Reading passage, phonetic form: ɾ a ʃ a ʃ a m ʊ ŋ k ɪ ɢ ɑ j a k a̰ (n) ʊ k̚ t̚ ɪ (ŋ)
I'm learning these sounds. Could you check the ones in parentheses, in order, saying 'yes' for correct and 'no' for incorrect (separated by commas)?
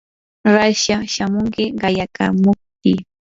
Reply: no, no